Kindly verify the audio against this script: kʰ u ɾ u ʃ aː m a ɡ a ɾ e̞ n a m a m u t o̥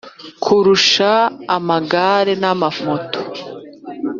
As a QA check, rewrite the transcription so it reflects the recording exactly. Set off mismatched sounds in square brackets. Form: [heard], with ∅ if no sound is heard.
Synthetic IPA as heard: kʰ u ɾ u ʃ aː m a ɡ a ɾ e̞ n a m a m [o] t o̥